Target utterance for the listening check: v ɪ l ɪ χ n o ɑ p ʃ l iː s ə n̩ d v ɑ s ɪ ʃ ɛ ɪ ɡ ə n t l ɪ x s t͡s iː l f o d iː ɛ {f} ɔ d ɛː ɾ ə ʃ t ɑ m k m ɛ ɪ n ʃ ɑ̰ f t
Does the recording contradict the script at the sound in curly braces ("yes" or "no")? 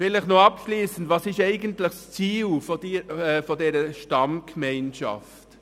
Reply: no